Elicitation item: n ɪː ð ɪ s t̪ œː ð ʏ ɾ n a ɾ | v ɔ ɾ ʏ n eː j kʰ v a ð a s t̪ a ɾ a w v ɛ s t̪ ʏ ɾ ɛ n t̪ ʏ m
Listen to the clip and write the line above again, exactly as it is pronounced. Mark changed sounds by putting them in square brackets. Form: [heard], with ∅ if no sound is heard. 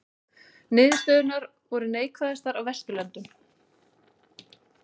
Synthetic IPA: n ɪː ð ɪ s t̪ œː ð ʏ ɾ n a ɾ | v ɔ ɾ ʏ n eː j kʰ v a ð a s t̪ a ɾ a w v ɛ s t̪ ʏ [l] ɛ n t̪ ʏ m